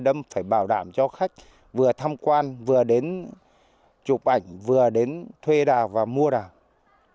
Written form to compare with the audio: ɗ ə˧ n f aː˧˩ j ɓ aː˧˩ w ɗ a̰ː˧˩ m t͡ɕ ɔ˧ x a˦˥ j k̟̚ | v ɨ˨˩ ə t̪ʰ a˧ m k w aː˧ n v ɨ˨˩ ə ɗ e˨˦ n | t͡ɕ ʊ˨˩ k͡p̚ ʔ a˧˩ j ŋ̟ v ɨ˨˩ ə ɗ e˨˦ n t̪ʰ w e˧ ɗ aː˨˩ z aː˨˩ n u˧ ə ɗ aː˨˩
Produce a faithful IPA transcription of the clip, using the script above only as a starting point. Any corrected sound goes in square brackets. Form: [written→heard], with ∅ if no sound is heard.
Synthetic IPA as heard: ɗ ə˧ [n→m] f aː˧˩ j ɓ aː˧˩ w ɗ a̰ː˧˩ m t͡ɕ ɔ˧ x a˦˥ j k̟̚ | v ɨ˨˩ ə t̪ʰ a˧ m k w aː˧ n v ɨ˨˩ ə ɗ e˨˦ n | t͡ɕ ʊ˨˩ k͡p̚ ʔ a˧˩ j ŋ̟ v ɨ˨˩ ə ɗ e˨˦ n t̪ʰ w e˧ ɗ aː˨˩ [z→v] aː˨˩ [n→m] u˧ ə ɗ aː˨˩